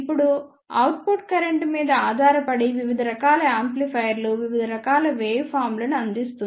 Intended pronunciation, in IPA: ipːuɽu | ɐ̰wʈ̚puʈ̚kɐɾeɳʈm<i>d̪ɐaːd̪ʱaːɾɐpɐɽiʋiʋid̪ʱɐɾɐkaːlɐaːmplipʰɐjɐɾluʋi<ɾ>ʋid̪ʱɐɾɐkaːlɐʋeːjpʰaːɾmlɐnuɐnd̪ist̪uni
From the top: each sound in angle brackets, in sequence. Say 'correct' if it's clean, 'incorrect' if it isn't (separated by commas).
incorrect, incorrect